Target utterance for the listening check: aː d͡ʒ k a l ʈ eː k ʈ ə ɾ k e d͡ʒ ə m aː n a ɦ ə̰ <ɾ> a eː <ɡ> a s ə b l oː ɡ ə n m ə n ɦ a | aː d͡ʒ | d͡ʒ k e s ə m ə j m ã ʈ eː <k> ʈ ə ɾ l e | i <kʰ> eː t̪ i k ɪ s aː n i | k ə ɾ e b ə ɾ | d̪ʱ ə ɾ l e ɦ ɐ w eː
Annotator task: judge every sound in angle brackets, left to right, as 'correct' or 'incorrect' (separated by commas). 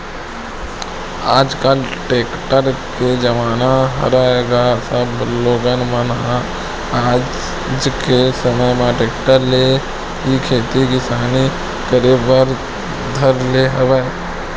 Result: correct, correct, correct, correct